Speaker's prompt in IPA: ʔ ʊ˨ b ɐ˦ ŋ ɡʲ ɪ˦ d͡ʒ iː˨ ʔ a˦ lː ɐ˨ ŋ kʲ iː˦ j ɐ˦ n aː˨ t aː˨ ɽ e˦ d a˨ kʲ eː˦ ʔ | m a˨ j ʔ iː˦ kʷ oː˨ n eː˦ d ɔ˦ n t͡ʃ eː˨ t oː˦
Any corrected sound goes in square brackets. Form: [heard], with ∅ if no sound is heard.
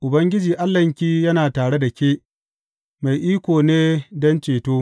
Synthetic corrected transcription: ʔ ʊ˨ b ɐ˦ ŋ ɡʲ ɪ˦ d͡ʒ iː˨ ʔ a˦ lː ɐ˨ ŋ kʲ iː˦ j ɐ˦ n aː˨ t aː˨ ɽ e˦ d a˨ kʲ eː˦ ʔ | m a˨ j ʔ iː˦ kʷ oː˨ n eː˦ d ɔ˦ n t͡ʃ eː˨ t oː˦